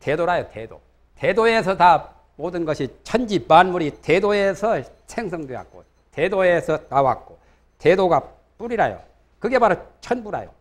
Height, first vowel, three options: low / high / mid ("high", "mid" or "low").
mid